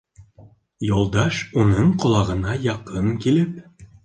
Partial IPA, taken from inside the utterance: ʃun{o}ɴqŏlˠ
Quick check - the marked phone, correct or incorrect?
incorrect